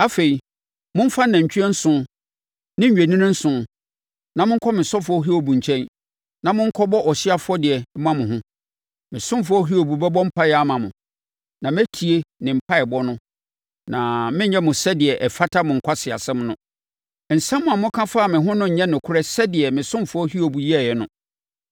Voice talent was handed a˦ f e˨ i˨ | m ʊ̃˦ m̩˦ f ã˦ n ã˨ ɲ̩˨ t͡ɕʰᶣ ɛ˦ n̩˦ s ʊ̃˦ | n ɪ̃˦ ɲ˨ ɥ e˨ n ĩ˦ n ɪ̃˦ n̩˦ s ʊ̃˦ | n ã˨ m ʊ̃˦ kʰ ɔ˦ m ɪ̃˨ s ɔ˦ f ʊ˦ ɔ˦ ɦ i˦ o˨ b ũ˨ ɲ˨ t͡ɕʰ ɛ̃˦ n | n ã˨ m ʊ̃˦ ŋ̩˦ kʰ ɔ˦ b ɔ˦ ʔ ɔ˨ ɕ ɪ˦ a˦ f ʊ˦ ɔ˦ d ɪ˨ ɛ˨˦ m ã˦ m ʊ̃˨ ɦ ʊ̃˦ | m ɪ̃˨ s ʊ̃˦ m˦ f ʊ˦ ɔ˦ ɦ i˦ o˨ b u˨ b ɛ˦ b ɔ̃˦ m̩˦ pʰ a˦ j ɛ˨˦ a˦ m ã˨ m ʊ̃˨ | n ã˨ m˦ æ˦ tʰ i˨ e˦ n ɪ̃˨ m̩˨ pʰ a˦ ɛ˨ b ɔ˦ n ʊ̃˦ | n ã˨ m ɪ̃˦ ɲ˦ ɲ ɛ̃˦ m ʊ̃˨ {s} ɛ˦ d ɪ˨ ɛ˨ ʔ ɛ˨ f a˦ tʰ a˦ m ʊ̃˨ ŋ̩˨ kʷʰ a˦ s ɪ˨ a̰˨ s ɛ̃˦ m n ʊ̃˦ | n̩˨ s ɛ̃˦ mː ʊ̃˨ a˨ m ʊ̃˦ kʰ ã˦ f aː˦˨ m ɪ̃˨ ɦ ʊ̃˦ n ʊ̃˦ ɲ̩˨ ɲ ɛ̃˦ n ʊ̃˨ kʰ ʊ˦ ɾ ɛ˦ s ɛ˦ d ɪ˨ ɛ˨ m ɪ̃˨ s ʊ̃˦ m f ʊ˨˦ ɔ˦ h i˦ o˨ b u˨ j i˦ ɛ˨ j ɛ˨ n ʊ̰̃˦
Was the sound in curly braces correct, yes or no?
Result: yes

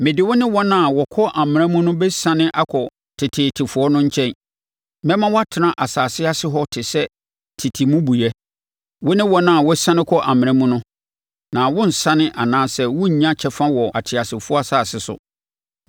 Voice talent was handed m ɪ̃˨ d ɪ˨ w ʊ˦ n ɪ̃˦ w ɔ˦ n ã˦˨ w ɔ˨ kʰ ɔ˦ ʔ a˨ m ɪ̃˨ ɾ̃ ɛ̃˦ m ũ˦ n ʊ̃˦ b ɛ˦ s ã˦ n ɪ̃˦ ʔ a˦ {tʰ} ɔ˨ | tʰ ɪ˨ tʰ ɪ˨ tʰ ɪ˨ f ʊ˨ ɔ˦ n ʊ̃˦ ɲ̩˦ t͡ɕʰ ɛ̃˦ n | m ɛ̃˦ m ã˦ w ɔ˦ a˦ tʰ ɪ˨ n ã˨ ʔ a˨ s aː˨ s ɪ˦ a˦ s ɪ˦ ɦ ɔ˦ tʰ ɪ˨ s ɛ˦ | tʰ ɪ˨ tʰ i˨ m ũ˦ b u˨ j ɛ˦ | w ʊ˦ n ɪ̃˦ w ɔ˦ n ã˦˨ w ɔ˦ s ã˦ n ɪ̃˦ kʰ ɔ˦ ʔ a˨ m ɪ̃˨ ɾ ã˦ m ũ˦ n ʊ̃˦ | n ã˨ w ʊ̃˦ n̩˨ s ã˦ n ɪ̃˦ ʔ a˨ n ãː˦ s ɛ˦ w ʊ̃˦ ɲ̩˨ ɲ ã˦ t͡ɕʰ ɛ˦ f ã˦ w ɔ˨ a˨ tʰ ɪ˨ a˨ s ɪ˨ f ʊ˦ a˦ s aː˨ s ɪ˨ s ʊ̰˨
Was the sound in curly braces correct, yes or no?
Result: no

